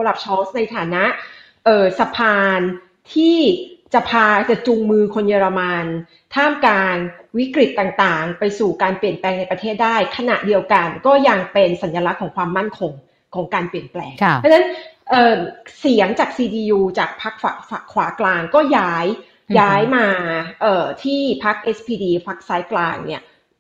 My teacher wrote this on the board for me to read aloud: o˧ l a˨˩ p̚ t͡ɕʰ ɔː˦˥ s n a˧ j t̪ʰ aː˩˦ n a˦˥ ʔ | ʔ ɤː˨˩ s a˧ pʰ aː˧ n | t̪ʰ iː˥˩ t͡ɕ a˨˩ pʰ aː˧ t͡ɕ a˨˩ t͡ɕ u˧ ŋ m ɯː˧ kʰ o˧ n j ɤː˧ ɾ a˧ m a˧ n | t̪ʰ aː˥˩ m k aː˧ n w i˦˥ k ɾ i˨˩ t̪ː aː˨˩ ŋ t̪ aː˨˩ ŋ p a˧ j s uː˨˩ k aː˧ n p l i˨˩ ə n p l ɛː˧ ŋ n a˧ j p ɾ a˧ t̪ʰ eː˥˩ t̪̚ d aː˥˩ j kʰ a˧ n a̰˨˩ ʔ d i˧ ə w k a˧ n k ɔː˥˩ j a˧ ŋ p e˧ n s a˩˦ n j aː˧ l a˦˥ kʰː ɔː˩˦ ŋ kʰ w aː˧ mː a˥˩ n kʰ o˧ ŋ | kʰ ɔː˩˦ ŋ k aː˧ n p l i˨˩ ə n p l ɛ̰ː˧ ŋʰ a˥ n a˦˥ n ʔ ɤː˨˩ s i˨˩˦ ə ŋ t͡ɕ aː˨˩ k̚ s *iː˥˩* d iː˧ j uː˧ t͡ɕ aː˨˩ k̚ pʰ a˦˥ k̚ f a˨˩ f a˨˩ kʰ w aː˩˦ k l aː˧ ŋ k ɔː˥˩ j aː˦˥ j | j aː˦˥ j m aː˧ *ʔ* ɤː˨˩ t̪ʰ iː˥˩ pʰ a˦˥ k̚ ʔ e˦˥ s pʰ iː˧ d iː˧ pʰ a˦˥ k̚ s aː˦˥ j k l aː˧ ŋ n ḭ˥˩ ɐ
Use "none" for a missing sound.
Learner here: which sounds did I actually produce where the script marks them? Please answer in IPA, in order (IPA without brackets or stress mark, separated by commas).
iː˧, ʔ